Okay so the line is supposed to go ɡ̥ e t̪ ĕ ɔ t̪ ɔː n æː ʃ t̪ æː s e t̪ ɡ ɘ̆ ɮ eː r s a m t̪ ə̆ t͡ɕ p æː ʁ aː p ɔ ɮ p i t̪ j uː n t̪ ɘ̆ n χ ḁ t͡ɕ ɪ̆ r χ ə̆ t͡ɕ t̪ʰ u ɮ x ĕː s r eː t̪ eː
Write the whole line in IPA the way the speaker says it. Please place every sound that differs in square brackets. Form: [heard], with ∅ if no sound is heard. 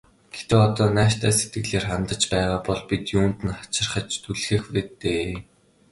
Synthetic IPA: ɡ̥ e t̪ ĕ ɔ t̪ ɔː n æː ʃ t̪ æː s e t̪ ɡ ɘ̆ ɮ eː r [χ] a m t̪ ə̆ t͡ɕ p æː ʁ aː p ɔ ɮ p i t̪ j uː n t̪ ɘ̆ n χ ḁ t͡ɕ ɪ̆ r χ ə̆ t͡ɕ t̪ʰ u ɮ x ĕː [x] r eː t̪ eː